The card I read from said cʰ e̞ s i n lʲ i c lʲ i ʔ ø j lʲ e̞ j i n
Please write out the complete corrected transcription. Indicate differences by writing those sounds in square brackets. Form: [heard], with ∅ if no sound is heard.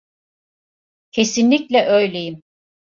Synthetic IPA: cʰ e̞ s i n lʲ i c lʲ [ɛ] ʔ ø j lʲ e̞ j i [m]

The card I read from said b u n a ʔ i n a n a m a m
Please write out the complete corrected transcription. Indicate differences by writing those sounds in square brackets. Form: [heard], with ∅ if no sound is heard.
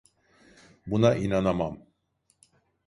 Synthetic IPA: b u n a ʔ i n a n a m a m

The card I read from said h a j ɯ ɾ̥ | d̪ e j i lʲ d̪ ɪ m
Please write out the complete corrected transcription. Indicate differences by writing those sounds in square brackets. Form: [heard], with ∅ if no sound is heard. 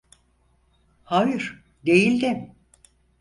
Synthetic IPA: h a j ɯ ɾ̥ | d̪ e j i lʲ d̪ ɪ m

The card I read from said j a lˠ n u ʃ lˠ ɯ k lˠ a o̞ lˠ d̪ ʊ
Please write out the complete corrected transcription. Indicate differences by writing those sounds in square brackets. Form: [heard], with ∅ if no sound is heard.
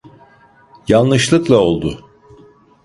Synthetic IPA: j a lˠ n [ɯ] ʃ lˠ ɯ k lˠ a o̞ lˠ d̪ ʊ

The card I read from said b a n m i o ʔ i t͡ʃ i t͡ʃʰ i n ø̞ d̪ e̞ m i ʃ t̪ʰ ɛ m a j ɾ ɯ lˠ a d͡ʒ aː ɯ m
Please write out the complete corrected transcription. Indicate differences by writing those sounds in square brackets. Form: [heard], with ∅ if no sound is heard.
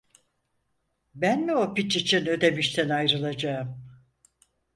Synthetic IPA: b [æ] n m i o [p] i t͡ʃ i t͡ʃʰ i n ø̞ d̪ e̞ m i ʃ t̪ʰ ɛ [n] a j ɾ ɯ lˠ a d͡ʒ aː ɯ m

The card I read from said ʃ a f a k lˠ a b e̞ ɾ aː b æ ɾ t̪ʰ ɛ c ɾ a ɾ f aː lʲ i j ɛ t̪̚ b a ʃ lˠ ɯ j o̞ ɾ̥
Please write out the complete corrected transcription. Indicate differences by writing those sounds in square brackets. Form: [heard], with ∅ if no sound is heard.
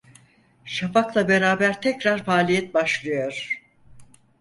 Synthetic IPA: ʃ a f a k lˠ a b e̞ ɾ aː b æ ɾ t̪ʰ ɛ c ɾ a ɾ f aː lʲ i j ɛ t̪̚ b a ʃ lˠ ɯ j o̞ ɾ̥

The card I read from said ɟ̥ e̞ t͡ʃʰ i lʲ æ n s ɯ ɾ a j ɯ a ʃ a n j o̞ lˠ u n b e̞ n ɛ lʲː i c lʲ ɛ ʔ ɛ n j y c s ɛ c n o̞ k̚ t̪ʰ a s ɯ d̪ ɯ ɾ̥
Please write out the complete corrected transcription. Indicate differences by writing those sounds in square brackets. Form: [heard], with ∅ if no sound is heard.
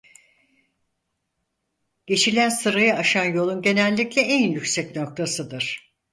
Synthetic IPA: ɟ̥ e̞ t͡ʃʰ i lʲ æ n s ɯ ɾ a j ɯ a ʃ a n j o̞ lˠ u n [ɟ] e̞ n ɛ lʲː i c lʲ ɛ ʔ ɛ n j y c s ɛ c n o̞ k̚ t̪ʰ a s ɯ d̪ ɯ ɾ̥

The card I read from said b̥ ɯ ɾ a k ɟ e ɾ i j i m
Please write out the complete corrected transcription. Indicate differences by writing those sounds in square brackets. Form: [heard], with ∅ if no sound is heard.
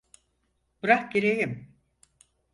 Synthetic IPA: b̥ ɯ ɾ a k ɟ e ɾ [e] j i m

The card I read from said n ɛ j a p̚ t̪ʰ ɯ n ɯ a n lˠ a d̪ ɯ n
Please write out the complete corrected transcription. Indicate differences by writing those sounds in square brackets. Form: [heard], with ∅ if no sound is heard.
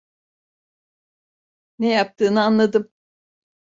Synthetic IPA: n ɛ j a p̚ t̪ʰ [ɯː] n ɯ a n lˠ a d̪ ɯ [m]

